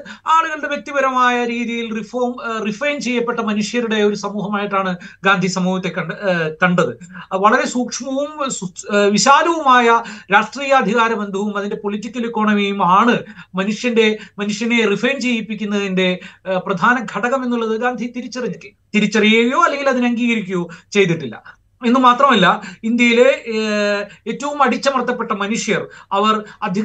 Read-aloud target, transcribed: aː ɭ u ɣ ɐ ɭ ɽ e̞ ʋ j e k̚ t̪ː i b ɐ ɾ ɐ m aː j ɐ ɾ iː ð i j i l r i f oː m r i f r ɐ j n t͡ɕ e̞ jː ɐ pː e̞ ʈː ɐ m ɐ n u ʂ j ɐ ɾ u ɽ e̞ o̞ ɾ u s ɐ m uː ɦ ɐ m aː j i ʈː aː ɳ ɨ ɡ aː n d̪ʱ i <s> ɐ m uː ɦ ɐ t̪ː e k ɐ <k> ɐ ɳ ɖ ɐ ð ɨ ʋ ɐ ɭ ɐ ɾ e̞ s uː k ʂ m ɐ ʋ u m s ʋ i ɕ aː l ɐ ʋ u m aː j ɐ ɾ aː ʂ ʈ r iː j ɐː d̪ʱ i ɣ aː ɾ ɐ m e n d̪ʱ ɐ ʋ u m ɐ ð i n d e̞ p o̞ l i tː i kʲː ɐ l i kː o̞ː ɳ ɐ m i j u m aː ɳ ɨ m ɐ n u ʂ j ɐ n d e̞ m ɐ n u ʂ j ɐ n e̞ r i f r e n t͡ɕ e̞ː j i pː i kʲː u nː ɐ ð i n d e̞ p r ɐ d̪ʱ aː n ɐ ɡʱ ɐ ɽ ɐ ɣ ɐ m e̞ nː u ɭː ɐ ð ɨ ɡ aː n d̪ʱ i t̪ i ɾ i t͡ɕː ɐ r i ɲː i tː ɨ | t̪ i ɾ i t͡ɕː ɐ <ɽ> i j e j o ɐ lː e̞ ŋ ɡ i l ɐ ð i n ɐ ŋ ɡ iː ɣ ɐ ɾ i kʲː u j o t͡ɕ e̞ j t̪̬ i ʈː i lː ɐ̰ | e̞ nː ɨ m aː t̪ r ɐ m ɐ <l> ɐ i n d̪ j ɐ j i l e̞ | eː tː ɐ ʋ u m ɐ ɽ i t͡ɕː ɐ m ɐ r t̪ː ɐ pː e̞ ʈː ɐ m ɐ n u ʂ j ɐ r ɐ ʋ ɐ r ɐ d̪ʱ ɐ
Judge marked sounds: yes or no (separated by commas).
yes, yes, no, no